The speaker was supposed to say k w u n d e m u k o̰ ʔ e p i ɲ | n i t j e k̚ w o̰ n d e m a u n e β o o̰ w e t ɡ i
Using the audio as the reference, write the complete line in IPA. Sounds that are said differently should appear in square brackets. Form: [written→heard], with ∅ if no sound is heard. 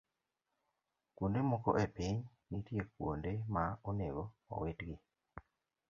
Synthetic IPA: k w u n d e m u k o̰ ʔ e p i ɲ | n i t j e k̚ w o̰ n d e m a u n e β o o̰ w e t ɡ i